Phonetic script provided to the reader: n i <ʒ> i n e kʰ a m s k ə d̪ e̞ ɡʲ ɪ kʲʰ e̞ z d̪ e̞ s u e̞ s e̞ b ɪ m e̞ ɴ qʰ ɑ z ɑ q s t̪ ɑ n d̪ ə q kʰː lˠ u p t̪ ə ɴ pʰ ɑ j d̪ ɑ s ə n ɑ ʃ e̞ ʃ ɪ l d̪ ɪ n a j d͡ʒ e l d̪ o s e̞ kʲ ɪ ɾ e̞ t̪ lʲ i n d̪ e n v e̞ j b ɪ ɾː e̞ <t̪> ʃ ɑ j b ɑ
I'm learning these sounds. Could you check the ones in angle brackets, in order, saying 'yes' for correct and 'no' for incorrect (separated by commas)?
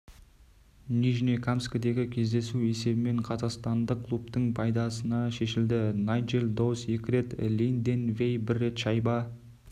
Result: yes, yes